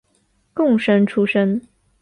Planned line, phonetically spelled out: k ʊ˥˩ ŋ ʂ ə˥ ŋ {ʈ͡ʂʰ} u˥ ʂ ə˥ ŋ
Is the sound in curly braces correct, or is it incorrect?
correct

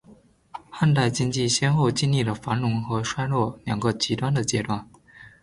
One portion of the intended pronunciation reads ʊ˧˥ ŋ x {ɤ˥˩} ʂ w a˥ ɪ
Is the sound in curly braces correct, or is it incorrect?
incorrect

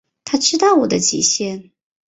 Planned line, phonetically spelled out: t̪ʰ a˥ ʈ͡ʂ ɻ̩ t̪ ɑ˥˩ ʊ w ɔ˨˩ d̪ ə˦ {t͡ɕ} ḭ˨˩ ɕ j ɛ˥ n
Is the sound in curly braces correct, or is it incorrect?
correct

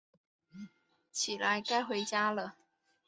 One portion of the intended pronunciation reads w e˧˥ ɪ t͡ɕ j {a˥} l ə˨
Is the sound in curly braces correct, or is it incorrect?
correct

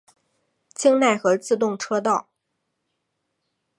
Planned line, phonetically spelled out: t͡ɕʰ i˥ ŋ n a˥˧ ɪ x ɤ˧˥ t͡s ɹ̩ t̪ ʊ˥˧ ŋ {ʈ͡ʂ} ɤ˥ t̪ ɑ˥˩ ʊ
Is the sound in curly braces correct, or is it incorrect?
incorrect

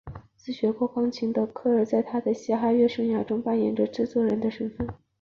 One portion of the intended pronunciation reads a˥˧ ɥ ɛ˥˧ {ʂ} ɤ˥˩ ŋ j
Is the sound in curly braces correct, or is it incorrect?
correct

